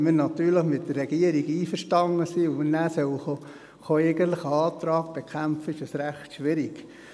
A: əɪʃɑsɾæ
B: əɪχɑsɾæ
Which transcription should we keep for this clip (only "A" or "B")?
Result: A